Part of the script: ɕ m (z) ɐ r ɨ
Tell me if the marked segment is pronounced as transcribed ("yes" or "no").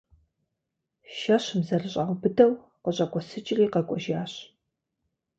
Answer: yes